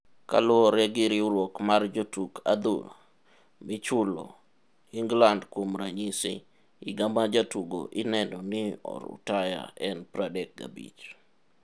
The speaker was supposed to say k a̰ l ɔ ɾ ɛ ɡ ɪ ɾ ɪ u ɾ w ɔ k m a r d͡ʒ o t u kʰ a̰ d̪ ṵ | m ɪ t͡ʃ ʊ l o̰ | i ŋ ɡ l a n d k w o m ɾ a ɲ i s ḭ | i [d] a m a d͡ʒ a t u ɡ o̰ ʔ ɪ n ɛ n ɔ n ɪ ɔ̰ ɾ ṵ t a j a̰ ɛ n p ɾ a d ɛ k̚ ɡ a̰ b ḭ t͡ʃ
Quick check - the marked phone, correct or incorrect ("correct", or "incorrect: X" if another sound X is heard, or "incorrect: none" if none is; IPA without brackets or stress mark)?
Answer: incorrect: ɡ